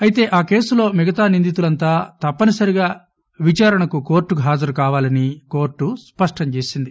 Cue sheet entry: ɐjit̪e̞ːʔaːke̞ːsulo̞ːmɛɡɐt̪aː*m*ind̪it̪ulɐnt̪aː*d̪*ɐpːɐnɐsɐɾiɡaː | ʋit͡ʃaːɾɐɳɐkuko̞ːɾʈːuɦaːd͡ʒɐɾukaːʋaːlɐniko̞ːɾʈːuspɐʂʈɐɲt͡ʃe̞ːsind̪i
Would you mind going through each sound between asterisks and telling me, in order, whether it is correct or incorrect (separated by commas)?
incorrect, incorrect